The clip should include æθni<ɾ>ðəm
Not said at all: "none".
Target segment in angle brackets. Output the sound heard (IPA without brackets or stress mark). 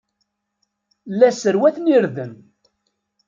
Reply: ɾ